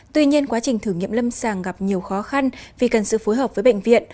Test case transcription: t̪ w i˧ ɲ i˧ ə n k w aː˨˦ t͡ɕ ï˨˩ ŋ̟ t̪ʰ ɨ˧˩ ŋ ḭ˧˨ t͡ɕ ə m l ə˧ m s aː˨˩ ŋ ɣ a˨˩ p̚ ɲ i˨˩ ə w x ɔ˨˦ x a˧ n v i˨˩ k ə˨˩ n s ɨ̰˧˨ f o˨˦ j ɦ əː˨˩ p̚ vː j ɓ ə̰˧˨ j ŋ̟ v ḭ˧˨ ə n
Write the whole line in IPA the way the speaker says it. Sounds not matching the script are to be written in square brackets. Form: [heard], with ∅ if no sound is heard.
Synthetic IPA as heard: t̪ w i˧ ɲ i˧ ə n k w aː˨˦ t͡ɕ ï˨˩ ŋ̟ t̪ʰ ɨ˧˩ ŋ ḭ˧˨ [∅] ə m l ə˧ m s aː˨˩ ŋ ɣ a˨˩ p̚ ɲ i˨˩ ə w x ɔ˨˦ x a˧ n v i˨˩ k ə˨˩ n s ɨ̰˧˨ f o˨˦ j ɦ əː˨˩ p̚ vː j ɓ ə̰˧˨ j ŋ̟ v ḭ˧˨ ə n